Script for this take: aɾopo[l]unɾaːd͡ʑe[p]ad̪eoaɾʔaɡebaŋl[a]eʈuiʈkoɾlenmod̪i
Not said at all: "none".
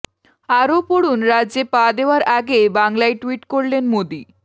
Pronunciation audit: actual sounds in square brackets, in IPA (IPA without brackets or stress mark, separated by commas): ɽ, p, a